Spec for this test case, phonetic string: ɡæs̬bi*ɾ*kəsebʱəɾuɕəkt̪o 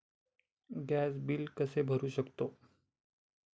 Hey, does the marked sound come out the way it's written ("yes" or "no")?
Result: no